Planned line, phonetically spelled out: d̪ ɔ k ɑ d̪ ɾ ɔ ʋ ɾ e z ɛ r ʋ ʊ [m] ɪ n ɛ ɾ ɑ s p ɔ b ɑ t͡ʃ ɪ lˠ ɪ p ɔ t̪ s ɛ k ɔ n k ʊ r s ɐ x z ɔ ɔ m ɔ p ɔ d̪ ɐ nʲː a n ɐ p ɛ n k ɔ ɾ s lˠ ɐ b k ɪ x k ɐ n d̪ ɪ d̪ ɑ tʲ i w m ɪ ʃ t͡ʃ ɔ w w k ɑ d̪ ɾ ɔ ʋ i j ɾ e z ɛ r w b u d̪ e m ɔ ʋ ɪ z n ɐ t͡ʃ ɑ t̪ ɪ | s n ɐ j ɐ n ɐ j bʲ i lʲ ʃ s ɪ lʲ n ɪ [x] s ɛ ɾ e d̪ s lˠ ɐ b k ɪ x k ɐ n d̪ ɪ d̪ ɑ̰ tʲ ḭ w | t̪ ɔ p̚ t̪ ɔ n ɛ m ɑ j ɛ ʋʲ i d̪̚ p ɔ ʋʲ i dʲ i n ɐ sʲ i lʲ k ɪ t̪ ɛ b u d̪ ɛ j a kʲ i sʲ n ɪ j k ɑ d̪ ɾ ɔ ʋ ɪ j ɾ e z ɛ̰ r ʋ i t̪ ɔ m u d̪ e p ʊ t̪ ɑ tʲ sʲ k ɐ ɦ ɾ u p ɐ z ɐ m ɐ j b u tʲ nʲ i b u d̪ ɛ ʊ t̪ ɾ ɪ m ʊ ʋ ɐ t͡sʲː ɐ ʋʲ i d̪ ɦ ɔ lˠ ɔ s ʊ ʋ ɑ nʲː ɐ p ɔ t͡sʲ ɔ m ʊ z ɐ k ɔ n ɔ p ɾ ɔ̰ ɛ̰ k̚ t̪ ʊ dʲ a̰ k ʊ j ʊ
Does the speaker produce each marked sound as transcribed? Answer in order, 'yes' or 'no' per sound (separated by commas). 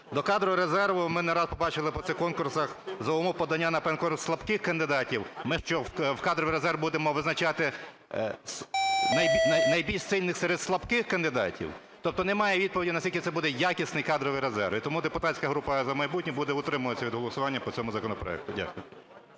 yes, yes